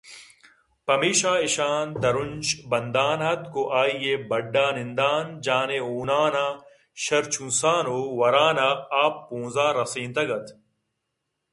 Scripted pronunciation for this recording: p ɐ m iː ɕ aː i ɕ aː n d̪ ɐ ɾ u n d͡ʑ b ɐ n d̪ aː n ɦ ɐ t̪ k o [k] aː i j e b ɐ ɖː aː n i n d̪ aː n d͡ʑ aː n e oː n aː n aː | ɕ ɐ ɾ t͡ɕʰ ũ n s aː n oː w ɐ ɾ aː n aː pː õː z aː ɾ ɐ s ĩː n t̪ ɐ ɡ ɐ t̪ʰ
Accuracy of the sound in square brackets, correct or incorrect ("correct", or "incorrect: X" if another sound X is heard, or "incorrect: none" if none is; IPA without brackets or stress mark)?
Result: incorrect: ʔ